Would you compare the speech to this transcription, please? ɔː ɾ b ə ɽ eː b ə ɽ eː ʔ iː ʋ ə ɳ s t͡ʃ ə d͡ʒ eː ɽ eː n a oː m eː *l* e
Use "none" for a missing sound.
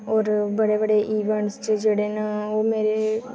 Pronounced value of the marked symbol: ɾ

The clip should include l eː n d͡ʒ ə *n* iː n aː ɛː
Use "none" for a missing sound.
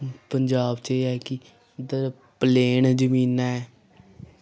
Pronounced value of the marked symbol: m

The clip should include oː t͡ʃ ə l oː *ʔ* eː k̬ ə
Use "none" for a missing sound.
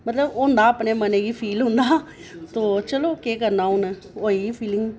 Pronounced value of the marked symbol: k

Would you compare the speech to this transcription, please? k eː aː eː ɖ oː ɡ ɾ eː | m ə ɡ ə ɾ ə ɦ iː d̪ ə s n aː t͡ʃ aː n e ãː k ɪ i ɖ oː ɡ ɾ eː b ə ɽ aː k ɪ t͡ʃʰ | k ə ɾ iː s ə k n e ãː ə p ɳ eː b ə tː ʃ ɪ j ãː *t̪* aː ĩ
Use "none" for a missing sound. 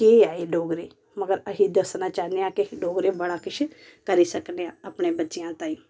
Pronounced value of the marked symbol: t̪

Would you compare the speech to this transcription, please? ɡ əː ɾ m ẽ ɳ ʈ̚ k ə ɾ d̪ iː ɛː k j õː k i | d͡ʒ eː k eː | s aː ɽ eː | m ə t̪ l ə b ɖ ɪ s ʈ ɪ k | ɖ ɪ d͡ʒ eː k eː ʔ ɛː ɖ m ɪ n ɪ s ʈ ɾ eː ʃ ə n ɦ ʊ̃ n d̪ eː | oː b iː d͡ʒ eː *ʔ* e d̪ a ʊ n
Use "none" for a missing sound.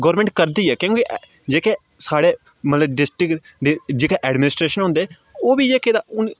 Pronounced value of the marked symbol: k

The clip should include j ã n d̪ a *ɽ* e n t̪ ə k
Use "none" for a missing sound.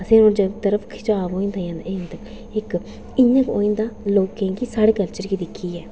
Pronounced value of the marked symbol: none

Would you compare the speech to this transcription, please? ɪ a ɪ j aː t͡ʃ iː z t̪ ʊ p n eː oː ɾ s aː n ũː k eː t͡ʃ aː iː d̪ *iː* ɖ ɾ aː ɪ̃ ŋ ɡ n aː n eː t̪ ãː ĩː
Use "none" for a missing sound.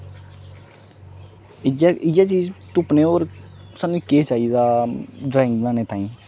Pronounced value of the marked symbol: aː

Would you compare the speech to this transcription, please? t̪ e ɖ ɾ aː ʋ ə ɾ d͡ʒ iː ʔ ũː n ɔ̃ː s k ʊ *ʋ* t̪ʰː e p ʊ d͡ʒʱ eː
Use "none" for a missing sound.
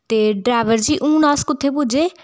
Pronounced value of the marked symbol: none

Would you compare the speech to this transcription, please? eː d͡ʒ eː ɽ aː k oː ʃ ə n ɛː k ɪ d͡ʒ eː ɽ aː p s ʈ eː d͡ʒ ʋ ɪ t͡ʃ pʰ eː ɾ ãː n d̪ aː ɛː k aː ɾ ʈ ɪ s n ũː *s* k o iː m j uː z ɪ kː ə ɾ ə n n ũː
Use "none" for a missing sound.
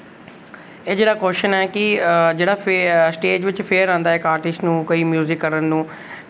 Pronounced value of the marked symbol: none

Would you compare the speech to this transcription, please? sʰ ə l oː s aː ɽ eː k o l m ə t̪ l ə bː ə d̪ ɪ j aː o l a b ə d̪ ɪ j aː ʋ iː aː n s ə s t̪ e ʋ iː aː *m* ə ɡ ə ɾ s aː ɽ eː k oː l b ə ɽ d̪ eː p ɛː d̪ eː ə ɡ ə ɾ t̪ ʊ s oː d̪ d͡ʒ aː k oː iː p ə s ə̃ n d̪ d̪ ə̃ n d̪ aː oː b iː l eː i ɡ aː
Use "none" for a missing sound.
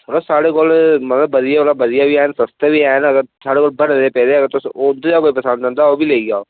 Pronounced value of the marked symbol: n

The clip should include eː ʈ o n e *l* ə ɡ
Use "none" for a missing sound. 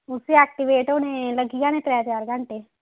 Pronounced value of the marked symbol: l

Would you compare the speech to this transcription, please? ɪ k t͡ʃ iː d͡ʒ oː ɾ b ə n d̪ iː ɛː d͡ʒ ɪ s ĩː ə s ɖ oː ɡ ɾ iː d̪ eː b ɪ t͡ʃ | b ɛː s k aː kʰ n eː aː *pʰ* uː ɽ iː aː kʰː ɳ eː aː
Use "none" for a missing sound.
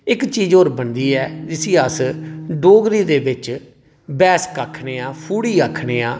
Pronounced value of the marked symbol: pʰ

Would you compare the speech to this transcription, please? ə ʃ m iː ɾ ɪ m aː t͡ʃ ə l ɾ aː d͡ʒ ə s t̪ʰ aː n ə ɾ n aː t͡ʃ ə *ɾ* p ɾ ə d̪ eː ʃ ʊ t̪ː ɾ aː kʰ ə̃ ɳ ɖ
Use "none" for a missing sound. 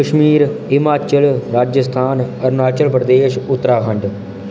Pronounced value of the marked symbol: l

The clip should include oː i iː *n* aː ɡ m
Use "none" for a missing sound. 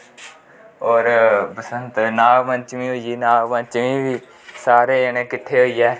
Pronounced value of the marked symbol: n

